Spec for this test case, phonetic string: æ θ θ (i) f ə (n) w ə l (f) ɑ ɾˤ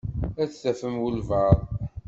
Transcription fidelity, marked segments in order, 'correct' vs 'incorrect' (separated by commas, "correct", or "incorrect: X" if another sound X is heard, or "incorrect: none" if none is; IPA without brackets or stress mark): incorrect: æ, incorrect: m, incorrect: v